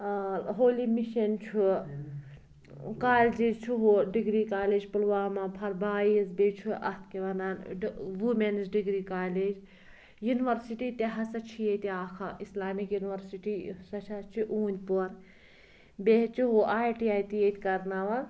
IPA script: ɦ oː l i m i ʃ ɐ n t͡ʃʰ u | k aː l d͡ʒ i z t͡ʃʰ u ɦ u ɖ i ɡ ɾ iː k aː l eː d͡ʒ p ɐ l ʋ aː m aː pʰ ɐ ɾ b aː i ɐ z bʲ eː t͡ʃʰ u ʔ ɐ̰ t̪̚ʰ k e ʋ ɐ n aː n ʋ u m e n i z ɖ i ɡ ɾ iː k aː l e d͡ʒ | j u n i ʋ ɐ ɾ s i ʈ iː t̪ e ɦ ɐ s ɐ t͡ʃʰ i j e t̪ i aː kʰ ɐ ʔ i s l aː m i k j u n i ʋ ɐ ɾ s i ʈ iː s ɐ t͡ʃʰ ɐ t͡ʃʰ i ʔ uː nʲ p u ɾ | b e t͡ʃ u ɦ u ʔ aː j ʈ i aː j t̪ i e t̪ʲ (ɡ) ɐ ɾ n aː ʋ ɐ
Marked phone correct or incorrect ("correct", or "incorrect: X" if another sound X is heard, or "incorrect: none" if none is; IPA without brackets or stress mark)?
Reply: incorrect: k